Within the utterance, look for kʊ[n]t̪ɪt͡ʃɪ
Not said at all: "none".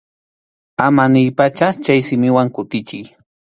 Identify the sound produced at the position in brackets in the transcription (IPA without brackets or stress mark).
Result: none